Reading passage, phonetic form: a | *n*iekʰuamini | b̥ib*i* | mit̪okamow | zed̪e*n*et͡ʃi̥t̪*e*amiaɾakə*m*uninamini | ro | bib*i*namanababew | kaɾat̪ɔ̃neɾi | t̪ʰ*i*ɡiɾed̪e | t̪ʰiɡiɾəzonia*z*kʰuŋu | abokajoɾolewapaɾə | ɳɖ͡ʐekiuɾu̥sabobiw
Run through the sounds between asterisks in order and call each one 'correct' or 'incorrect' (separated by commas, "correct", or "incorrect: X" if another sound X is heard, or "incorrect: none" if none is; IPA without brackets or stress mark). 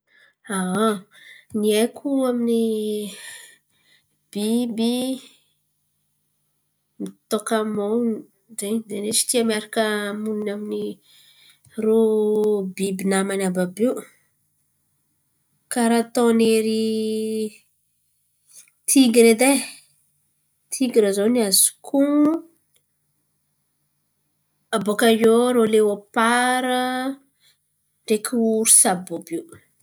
correct, correct, correct, incorrect: i, correct, correct, correct, correct